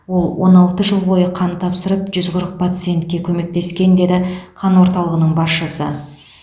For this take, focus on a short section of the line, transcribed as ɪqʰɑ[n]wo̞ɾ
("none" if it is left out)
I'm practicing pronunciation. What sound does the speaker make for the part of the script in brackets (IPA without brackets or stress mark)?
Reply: n